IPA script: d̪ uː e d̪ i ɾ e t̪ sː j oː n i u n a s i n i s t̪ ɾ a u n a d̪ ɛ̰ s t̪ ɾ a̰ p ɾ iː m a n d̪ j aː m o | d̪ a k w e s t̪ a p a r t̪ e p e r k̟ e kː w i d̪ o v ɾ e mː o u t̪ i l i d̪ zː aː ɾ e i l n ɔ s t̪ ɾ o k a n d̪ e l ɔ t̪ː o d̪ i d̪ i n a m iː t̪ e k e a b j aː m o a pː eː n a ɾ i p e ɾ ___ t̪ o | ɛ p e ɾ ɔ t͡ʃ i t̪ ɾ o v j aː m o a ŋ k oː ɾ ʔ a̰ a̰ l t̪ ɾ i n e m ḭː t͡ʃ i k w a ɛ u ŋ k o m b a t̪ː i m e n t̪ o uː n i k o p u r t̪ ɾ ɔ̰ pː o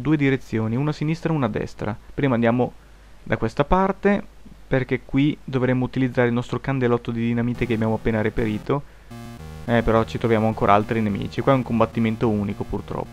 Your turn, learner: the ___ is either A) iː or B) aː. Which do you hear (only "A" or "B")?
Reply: A